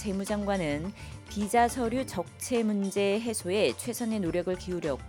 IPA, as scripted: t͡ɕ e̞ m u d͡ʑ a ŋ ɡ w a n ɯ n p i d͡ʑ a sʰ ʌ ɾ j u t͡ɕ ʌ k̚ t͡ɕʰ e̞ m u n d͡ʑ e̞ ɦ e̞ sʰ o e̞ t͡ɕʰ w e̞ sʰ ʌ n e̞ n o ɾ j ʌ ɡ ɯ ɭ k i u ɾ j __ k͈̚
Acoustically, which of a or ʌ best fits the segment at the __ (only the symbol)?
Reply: ʌ